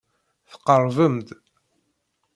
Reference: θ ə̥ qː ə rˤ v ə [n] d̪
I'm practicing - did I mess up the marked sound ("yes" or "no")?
yes